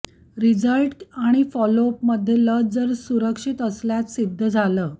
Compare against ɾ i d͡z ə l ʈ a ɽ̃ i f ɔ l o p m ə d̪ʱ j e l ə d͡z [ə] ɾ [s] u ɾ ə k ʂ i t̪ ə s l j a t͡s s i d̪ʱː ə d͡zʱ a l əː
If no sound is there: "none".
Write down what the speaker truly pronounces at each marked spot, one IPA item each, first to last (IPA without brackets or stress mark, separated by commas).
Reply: ə, s